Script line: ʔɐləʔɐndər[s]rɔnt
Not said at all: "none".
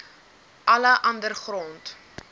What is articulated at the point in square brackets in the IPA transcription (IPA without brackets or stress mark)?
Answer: χ